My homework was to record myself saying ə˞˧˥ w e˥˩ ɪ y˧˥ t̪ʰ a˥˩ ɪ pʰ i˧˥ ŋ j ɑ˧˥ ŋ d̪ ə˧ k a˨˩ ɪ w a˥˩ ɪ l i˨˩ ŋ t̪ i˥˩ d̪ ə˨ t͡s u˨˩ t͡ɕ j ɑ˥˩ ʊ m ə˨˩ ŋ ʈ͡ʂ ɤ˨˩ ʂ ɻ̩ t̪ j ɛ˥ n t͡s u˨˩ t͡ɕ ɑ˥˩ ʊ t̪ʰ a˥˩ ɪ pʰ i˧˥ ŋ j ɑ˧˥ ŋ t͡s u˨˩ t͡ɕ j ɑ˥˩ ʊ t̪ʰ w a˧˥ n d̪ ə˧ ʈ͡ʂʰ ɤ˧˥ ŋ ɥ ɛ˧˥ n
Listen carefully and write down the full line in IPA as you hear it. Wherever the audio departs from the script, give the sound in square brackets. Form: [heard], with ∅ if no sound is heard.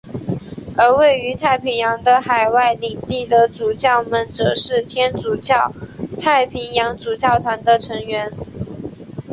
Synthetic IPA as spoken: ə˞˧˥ w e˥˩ ɪ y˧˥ t̪ʰ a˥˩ ɪ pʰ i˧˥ ŋ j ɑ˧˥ ŋ d̪ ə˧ [x] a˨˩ ɪ w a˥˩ ɪ l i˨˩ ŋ t̪ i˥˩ d̪ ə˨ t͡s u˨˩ t͡ɕ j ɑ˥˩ ʊ m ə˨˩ [n] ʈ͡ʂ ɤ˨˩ ʂ ɻ̩ [t̪ʰ] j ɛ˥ n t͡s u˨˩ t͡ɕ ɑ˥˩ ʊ t̪ʰ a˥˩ ɪ pʰ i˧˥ ŋ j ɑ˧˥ ŋ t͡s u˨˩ t͡ɕ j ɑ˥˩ ʊ t̪ʰ w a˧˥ n d̪ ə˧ ʈ͡ʂʰ ɤ˧˥ ŋ ɥ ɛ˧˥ n